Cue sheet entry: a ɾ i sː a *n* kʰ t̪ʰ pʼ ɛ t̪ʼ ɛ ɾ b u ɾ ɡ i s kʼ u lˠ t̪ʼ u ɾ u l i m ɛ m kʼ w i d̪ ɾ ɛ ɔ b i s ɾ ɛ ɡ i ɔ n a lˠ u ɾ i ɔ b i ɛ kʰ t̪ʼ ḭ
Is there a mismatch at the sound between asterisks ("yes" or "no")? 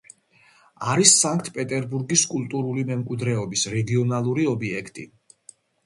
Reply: yes